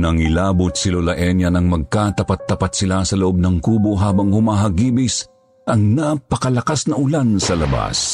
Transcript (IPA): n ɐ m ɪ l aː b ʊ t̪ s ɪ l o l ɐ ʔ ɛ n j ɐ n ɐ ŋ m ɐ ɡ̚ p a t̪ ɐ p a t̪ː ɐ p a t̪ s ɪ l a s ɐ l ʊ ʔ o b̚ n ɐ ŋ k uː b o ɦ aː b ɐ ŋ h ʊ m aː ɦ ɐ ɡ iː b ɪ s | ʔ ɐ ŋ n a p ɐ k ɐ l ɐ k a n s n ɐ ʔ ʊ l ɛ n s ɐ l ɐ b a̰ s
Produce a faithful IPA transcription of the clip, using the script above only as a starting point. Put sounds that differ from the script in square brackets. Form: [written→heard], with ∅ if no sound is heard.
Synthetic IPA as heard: n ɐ [m→ŋ] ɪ l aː b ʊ t̪ s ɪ l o l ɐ ʔ ɛ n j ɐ n ɐ ŋ m ɐ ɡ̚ [p→k] a t̪ ɐ p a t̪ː ɐ p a t̪ s ɪ l a s ɐ l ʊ ʔ o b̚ n ɐ ŋ k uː b o ɦ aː b ɐ ŋ h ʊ m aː ɦ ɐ ɡ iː b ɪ s | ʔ ɐ ŋ n a p ɐ k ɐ l ɐ k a [n→∅] s n ɐ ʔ ʊ l [ɛ→a] n s ɐ l ɐ b a̰ s